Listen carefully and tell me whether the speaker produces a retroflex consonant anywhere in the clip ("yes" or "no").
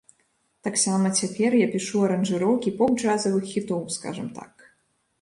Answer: yes